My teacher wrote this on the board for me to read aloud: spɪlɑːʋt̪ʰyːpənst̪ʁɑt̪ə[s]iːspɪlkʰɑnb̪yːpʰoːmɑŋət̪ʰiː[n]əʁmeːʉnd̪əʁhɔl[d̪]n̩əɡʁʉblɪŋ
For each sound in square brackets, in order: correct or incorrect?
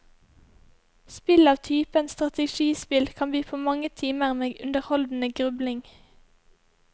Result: incorrect: ʃ, incorrect: m, correct

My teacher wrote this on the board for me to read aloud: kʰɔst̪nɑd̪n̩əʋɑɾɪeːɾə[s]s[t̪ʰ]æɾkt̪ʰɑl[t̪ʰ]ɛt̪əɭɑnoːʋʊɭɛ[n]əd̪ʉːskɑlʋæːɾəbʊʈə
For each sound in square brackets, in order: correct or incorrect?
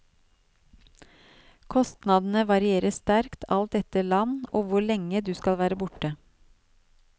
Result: correct, incorrect: t̪, incorrect: t̪, incorrect: ŋ

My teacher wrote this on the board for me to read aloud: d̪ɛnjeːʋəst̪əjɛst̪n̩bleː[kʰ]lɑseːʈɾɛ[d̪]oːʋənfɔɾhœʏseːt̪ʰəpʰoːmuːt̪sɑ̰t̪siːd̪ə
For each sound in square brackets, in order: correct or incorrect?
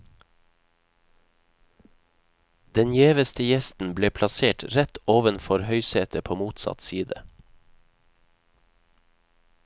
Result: incorrect: pʰ, incorrect: t̪

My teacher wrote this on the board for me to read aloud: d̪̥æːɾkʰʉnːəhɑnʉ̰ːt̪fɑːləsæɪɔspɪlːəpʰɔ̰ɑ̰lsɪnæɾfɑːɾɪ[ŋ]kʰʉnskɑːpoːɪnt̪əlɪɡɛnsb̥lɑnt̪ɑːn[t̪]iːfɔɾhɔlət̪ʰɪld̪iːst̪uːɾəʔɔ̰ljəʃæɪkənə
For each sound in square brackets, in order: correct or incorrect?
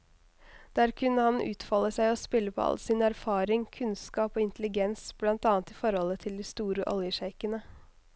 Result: correct, correct

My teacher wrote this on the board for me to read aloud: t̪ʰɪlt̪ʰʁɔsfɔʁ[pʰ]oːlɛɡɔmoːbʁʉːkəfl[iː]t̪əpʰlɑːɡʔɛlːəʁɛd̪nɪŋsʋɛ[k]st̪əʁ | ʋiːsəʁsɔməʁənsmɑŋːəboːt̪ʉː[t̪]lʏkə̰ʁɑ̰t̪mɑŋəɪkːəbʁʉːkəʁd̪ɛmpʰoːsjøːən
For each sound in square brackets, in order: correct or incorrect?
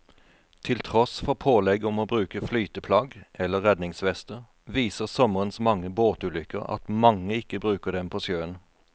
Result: correct, incorrect: yː, incorrect: none, incorrect: none

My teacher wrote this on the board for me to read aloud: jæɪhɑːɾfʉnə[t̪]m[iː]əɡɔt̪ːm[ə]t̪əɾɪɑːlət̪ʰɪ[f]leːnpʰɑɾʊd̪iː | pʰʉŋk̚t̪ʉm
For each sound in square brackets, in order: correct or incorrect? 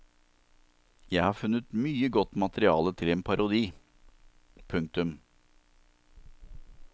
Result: correct, incorrect: yː, incorrect: ɑ, incorrect: none

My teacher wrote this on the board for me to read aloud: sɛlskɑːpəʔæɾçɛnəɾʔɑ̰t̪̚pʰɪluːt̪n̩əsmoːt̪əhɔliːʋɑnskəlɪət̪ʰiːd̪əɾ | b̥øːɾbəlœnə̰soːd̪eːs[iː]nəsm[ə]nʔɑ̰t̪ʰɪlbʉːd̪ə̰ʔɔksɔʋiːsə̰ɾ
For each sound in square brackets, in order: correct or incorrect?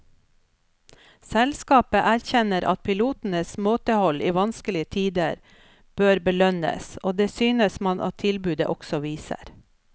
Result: incorrect: yː, incorrect: ɑ

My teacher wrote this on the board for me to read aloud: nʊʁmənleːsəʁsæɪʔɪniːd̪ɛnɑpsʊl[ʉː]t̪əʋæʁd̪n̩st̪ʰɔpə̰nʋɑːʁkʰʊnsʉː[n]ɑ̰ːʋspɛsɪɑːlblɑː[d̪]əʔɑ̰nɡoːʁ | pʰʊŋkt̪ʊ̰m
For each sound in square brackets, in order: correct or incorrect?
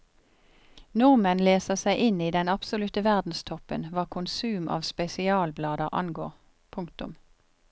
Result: incorrect: ʉ, incorrect: m, correct

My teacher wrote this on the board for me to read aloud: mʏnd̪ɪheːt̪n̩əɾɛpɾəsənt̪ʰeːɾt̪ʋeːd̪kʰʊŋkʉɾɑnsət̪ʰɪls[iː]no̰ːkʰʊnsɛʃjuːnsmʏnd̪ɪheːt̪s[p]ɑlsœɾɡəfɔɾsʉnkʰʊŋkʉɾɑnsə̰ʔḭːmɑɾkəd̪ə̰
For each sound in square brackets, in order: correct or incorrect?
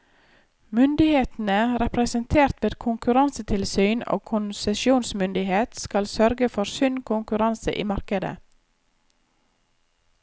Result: incorrect: yː, incorrect: k

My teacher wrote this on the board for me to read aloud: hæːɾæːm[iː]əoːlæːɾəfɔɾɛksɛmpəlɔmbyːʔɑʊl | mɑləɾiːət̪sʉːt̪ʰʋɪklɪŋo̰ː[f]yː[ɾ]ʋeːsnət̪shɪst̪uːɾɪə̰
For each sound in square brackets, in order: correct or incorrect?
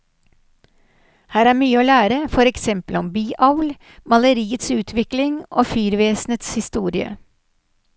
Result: incorrect: yː, correct, correct

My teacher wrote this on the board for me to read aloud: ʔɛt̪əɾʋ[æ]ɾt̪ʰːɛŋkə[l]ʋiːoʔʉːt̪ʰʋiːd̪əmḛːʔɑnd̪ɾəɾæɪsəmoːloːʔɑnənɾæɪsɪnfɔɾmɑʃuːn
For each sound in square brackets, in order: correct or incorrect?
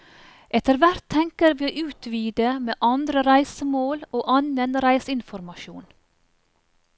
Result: correct, incorrect: ɾ

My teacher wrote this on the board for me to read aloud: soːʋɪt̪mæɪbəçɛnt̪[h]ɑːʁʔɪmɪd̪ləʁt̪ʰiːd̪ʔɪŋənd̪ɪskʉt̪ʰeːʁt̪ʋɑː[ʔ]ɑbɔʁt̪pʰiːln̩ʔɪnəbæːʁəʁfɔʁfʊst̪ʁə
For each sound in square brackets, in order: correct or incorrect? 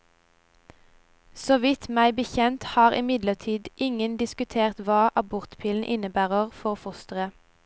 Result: correct, correct

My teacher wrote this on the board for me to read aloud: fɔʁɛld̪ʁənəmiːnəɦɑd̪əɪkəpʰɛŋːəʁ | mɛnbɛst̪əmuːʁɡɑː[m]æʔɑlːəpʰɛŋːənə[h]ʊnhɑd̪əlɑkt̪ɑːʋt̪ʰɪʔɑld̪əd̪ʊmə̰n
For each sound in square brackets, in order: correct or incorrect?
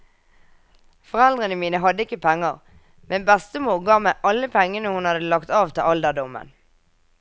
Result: correct, correct

